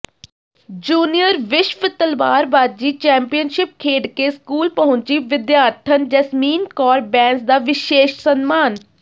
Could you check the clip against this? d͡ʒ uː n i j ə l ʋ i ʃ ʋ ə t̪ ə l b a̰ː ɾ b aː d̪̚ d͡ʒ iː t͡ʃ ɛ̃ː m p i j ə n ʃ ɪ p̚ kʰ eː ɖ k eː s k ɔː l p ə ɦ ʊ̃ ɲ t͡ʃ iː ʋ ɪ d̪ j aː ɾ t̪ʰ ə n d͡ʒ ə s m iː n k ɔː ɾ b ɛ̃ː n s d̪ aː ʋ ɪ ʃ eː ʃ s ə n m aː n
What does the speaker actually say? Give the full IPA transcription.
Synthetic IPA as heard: d͡ʒ uː n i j ə ɾ ʋ ɪ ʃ ʋ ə t̪ ə l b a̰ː ɾ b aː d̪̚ d͡ʒ iː t͡ʃ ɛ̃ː m p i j ə n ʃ ɪ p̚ kʰ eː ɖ k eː s k uː l p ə ɦ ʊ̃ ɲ t͡ʃ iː ʋ ɪ d̪ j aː ɾ t̪ʰ ə n d͡ʒ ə s m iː n k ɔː ɾ b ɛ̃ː n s d̪ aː ʋ ɪ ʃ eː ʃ s ə n m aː n